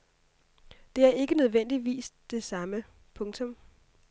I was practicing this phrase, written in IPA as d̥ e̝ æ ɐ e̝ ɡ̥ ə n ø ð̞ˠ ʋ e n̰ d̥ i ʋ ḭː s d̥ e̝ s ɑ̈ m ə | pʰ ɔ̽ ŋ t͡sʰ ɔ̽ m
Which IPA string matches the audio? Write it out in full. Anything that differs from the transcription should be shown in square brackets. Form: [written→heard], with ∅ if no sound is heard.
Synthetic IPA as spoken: d̥ e̝ æ ɐ e̝ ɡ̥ ə n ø ð̞ˠ ʋ e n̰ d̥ i ʋ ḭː s d̥ e̝ s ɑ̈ m ə | pʰ ɔ̽ ŋ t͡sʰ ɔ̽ m